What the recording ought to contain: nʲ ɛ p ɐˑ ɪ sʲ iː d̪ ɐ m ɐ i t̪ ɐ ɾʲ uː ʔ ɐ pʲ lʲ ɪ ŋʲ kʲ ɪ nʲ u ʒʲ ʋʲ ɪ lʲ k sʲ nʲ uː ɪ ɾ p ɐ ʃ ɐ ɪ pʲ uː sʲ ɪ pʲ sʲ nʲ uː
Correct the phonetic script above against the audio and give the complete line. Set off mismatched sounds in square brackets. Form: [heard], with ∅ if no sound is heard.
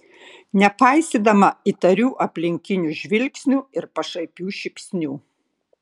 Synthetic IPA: nʲ ɛ p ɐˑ ɪ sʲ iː d̪ ɐ m ɐ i t̪ ɐ ɾʲ uː ʔ ɐ pʲ lʲ ɪ ŋʲ kʲ ɪ nʲ u ʒʲ ʋʲ ɪ lʲ k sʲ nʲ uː ɪ ɾ p ɐ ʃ ɐ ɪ pʲ uː [ʃʲ] ɪ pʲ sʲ nʲ uː